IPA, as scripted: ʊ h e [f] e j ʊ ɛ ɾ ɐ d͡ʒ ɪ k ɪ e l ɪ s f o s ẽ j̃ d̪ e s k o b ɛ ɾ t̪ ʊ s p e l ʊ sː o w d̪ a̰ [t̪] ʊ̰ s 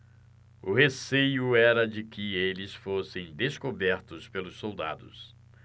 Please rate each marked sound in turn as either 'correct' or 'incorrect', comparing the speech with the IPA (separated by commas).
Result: incorrect, incorrect